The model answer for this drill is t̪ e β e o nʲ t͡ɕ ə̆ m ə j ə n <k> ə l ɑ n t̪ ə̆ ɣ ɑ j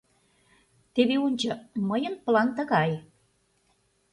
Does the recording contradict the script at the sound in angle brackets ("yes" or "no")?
yes